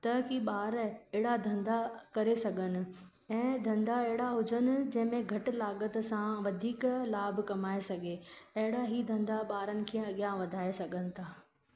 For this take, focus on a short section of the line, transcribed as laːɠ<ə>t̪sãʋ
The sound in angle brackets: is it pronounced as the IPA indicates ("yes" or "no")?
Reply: yes